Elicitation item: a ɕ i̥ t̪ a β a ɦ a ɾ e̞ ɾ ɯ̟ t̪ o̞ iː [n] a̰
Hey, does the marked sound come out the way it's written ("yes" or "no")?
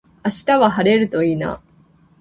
yes